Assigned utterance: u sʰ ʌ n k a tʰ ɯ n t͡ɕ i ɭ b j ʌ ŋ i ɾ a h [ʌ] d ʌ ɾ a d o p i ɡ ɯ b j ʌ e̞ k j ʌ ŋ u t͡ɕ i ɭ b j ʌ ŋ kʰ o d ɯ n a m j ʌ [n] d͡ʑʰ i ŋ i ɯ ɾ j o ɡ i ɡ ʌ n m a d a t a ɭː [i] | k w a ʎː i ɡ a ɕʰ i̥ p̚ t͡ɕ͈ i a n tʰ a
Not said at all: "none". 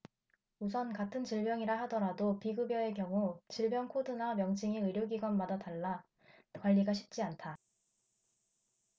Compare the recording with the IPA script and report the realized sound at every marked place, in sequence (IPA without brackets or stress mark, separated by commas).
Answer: a, ŋ, a